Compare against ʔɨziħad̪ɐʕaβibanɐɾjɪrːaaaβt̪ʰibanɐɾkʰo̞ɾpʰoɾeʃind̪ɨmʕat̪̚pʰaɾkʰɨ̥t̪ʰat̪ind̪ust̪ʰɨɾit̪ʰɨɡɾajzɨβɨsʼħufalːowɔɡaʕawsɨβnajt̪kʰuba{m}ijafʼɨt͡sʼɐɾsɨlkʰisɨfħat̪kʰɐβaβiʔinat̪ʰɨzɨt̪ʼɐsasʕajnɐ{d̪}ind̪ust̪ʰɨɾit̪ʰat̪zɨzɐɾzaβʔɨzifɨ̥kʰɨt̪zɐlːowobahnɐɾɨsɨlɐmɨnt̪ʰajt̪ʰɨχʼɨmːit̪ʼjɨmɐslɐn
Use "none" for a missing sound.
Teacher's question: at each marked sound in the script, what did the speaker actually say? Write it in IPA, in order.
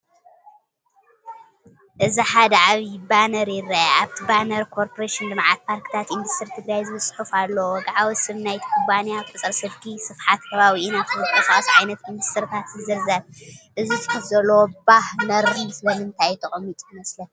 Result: n, t̪

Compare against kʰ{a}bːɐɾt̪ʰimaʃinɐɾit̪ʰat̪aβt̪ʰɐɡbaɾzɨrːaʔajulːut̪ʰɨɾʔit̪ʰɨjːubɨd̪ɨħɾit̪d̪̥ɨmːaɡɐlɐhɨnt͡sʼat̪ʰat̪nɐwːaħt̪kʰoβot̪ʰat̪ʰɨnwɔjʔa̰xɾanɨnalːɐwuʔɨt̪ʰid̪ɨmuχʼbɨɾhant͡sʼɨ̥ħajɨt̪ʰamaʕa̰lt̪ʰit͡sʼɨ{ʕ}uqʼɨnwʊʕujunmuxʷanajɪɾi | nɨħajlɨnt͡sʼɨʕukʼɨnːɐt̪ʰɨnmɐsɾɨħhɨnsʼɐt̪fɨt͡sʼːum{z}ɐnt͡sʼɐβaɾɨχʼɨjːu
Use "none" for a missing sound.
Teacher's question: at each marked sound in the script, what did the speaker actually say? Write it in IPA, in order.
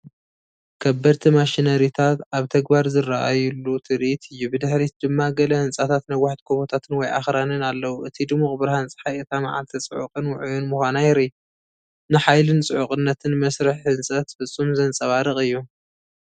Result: ɐ, ʕ, z

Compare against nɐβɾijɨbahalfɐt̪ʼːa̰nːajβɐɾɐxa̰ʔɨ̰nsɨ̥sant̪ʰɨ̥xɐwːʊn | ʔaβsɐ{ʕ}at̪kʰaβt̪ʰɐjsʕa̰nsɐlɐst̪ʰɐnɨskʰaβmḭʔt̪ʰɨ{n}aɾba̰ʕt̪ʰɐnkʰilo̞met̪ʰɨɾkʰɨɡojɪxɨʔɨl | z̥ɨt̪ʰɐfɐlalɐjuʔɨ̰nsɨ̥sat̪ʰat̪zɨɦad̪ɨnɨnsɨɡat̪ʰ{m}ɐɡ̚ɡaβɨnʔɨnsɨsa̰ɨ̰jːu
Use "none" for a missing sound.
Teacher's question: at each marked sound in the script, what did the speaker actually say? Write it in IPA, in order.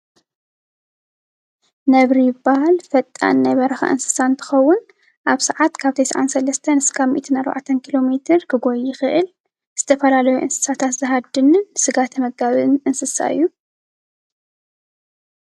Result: ʕ, n, m

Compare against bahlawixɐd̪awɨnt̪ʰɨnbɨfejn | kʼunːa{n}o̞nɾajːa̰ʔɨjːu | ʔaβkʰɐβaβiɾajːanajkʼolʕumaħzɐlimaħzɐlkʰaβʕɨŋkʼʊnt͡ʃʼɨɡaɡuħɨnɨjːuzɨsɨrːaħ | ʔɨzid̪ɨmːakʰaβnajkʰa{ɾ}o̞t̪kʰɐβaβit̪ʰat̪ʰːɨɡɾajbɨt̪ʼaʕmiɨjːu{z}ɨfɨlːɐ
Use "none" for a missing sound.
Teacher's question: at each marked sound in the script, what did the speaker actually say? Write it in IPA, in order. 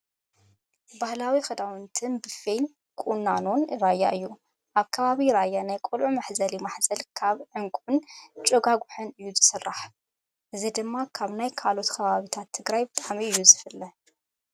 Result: n, l, z

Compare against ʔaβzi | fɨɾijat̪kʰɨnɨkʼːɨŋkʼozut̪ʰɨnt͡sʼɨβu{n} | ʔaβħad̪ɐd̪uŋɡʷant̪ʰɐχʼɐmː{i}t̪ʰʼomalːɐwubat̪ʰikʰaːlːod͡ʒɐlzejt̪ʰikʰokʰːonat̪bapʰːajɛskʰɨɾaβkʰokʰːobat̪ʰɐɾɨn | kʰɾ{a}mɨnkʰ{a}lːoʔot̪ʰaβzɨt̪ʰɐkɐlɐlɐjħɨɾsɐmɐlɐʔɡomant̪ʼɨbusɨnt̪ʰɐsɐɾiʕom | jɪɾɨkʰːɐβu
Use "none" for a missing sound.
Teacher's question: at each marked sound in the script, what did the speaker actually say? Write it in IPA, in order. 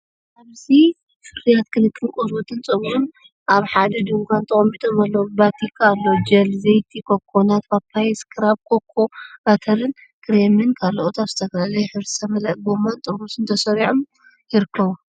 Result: n, i, e, a

